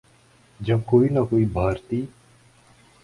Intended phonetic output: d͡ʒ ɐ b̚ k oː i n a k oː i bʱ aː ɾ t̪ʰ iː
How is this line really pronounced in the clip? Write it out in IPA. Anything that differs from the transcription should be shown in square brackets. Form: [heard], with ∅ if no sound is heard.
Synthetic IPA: d͡ʒ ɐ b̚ k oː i n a k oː i bʱ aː ɾ [t̪] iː